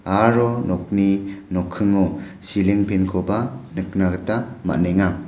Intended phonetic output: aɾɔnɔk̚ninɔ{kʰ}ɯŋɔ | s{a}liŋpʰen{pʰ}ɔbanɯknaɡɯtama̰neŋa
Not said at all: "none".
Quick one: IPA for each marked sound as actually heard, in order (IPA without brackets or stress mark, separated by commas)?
kʰ, i, kʰ